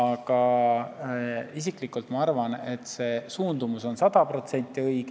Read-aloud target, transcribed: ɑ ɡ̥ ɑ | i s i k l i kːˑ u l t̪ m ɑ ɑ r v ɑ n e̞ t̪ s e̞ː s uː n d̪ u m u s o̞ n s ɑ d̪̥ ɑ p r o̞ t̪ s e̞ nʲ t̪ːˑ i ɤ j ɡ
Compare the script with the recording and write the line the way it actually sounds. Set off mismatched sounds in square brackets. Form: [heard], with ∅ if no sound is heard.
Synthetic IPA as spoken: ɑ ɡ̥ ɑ | i s i k l i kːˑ u l t̪ m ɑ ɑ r v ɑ n e̞ t̪ s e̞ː s uː n d̪ u m u s o̞ n s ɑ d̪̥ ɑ p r o̞ t̪ s e̞ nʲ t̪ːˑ i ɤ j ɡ

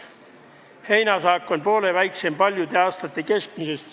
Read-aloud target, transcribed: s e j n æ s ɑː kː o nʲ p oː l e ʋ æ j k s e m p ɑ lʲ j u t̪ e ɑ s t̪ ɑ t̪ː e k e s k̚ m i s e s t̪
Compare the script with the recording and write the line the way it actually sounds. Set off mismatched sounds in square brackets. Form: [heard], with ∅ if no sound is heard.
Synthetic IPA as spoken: [h] e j n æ s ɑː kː o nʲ p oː l e ʋ æ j k s e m p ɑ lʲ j u t̪ e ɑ s t̪ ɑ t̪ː e k e s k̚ m i s e s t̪

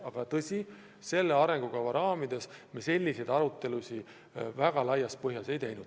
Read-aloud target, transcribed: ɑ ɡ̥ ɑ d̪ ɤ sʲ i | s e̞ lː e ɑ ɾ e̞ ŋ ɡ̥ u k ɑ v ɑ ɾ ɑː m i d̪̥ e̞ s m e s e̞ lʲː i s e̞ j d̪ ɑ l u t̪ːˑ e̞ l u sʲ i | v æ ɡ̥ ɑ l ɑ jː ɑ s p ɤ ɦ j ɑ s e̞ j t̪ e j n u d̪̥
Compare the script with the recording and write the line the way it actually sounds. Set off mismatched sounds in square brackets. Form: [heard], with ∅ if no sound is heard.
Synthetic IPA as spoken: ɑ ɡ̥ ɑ [t̪] ɤ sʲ i | s e̞ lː e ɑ ɾ e̞ ŋ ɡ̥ u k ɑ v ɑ ɾ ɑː m i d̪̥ e̞ s m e s e̞ lʲː i s e̞ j d̪ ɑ [ɾ] u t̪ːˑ e̞ l u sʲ i | v æ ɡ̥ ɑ l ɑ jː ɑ s p ɤ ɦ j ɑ s e̞ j t̪ e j n u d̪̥

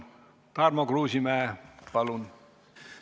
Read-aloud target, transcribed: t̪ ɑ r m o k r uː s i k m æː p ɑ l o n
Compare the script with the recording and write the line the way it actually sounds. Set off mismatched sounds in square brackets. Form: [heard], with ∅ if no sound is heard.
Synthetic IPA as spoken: t̪ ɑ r m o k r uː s i [∅] m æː p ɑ l [u] n

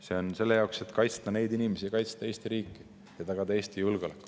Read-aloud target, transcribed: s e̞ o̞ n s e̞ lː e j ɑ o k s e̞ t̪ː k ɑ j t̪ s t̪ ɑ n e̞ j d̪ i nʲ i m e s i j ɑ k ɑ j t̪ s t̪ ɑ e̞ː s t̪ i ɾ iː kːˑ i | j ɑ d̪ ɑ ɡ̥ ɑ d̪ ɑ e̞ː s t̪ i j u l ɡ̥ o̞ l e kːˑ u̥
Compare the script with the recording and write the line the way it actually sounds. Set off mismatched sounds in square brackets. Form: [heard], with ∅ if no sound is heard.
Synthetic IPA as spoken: s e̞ o̞ n s e̞ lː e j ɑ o k s e̞ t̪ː k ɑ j t̪ s t̪ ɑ n e̞ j d̪ i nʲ i m e s i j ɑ k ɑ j t̪ s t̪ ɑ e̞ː s t̪ i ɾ iː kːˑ i | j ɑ [t̪] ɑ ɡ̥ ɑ d̪ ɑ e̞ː s t̪ i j u l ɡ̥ o̞ l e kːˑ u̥

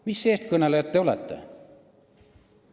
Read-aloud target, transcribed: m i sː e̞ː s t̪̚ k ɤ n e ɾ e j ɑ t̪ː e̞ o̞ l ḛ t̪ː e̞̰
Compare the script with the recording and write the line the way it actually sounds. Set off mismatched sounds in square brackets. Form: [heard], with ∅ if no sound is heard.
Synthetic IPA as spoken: m i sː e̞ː s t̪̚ k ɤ n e [l] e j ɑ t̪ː e̞ o̞ l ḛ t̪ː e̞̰

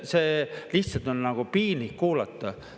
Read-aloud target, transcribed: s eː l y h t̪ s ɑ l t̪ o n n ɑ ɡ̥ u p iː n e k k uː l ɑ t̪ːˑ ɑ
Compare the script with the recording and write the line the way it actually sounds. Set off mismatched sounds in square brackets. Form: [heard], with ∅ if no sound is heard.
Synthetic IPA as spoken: s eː l [i] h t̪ s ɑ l t̪ o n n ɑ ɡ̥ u p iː n [i] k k uː l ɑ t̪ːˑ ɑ

